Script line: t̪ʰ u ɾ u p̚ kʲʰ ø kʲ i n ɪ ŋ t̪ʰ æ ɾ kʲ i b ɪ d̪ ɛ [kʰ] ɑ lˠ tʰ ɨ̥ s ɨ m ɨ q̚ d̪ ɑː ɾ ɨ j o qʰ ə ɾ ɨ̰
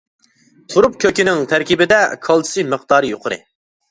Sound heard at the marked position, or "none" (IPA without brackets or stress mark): kʰ